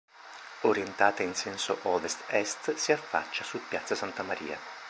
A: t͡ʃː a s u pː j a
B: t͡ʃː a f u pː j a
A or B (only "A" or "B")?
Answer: A